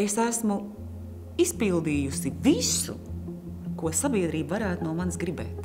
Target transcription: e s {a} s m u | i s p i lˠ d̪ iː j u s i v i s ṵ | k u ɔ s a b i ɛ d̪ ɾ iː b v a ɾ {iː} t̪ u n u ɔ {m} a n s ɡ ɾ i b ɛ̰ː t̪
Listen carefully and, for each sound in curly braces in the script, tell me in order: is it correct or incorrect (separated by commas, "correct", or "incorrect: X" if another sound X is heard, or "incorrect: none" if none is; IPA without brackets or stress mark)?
incorrect: æ, incorrect: æː, correct